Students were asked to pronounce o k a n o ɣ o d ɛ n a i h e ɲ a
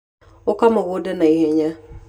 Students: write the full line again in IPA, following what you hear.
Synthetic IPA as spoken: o k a m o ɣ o d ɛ n a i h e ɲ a